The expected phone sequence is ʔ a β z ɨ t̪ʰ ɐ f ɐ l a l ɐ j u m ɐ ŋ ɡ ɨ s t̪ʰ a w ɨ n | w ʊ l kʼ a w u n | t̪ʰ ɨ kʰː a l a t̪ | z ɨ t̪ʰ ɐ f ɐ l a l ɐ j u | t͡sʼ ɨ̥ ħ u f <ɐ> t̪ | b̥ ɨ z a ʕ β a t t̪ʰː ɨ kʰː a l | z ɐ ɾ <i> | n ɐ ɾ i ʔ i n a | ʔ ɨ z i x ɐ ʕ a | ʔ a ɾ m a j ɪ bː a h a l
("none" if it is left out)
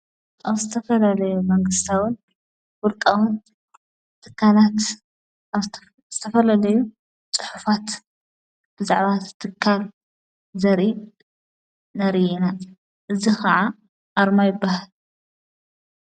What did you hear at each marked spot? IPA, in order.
a, i

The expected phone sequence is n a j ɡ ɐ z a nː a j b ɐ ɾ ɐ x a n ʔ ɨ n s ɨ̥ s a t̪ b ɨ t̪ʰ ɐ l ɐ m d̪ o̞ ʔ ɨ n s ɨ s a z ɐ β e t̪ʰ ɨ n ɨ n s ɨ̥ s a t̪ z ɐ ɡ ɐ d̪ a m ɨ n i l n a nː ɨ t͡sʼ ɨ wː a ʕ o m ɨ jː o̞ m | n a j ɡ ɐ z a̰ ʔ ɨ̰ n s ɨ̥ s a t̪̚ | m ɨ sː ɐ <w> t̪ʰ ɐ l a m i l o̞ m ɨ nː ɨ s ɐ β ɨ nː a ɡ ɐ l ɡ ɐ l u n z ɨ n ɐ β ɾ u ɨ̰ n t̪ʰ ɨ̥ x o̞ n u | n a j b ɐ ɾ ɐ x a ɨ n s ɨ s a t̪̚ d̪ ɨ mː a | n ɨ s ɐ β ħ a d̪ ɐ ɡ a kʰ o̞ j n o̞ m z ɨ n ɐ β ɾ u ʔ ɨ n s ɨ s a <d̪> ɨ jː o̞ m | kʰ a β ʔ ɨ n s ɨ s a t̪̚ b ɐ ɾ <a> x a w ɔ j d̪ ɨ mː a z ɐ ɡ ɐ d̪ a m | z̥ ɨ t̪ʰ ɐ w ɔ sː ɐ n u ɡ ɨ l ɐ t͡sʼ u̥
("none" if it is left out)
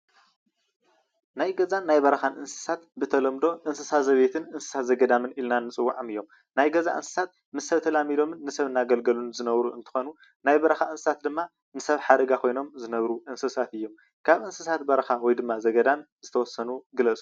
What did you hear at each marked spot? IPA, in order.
β, t̪, ɐ

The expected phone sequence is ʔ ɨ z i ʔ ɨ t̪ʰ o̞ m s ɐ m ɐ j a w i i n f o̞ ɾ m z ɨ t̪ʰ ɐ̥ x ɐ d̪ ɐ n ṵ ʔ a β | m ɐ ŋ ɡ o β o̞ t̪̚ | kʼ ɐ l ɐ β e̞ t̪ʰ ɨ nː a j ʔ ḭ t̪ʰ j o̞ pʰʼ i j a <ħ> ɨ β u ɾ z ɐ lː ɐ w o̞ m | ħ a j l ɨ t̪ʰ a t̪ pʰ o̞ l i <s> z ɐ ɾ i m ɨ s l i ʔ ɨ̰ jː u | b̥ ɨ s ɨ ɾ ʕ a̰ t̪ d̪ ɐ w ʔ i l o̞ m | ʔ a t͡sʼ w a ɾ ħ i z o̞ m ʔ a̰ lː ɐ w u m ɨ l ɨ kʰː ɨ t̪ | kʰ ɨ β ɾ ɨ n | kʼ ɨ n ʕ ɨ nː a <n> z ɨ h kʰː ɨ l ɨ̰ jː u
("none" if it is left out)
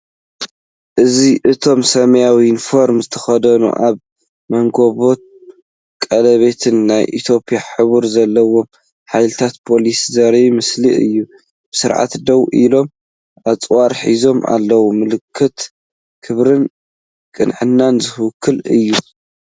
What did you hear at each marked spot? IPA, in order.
ħ, s, n

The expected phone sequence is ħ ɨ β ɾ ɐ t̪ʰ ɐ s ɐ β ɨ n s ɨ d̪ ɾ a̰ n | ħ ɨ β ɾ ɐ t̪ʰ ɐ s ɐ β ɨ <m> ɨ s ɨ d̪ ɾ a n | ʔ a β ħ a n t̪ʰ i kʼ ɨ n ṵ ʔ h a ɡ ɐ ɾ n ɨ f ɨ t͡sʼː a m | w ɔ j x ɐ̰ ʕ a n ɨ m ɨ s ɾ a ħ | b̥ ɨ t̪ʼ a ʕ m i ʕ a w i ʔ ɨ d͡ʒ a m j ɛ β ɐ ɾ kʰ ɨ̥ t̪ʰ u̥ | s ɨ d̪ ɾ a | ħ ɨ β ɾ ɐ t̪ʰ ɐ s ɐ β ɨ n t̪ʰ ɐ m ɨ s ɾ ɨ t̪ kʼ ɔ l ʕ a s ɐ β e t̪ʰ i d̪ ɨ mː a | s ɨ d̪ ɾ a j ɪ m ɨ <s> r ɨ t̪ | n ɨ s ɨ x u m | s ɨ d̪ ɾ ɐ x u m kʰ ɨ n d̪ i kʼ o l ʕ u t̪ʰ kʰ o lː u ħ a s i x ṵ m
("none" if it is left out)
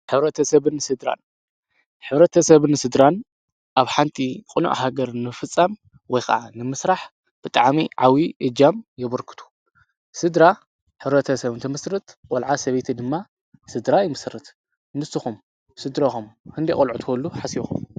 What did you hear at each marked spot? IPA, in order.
n, s

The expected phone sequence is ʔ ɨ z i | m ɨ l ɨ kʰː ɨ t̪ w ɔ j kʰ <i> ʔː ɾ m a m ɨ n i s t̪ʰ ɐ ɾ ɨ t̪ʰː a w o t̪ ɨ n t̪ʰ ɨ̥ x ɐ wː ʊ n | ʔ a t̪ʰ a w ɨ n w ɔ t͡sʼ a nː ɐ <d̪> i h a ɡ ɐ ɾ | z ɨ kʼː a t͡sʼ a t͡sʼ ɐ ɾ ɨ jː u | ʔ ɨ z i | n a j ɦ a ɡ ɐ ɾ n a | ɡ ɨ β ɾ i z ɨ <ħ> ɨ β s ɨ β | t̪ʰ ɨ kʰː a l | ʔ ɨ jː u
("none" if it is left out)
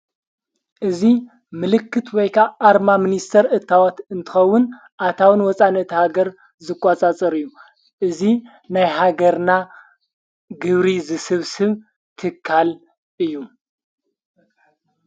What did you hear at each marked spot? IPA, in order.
a, t̪, s

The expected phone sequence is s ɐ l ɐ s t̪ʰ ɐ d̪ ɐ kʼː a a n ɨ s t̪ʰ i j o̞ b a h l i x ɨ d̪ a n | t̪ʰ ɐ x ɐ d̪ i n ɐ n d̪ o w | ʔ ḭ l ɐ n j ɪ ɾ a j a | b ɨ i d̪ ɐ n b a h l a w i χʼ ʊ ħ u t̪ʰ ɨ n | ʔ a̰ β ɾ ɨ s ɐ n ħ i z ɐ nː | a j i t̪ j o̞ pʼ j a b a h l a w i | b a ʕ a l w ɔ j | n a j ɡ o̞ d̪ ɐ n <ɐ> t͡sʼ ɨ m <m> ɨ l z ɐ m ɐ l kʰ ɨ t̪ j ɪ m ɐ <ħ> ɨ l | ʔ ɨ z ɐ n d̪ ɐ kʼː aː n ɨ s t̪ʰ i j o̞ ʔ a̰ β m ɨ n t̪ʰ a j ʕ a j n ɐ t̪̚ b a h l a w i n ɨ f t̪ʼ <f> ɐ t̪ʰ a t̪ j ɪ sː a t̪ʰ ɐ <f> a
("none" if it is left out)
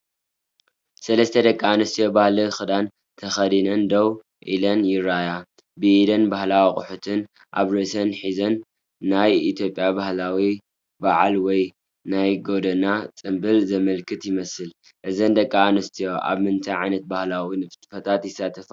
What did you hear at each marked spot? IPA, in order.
a, b, s, f, f

